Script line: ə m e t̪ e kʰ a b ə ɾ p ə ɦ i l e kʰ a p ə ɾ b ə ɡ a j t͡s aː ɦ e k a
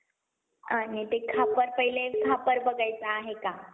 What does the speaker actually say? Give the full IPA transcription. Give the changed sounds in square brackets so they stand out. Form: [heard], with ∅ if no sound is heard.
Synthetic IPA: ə [n] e t̪ e kʰ a [p] ə ɾ p ə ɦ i l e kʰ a p ə ɾ b ə ɡ a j t͡s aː ɦ e k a

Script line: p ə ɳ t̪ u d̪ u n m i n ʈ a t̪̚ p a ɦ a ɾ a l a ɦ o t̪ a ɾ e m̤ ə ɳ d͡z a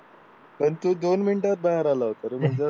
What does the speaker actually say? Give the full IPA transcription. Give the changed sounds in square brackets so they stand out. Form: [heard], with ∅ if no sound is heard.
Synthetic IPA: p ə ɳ t̪ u d̪ [o] n m i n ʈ a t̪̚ [b] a ɦ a ɾ a l a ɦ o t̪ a ɾ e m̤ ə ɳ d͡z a

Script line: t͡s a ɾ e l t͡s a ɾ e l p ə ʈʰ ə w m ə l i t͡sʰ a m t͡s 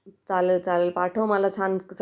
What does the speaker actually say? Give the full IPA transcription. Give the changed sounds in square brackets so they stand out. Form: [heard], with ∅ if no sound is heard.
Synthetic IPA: t͡s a [l] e l t͡s a [l] e l p [a] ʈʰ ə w m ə l [a] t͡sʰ a [n] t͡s

